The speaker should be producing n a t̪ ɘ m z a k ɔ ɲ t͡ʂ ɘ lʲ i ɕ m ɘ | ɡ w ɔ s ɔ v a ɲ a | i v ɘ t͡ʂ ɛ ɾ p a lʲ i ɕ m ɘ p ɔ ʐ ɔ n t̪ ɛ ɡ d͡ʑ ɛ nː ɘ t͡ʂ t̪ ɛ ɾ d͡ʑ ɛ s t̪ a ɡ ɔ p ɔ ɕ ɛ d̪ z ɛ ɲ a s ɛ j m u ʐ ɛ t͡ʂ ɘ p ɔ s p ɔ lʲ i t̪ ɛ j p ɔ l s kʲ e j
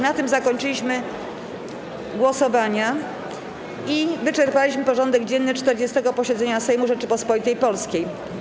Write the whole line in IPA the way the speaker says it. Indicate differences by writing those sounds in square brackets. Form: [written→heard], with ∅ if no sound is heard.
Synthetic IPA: n a t̪ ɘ m z a k ɔ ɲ t͡ʂ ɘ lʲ i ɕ m ɘ | ɡ w ɔ s ɔ v a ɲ a | i v ɘ t͡ʂ ɛ ɾ p a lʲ i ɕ m ɘ p ɔ ʐ ɔ n [t̪→d̪] ɛ ɡ d͡ʑ ɛ nː ɘ t͡ʂ t̪ ɛ ɾ d͡ʑ ɛ s t̪ [a→ɛ] ɡ ɔ p ɔ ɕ ɛ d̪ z ɛ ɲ a s ɛ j m u ʐ ɛ t͡ʂ ɘ p ɔ s p ɔ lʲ i t̪ ɛ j p ɔ l s kʲ e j